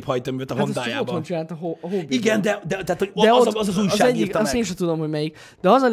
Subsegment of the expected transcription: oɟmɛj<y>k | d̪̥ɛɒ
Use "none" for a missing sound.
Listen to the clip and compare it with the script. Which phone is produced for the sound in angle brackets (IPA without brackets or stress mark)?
i